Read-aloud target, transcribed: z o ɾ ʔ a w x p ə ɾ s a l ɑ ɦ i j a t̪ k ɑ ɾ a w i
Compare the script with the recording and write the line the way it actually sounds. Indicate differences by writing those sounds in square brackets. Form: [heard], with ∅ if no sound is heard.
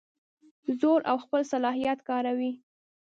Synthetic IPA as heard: z o ɾ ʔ a w x p ə [l] s a l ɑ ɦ i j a t̪ k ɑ ɾ a w i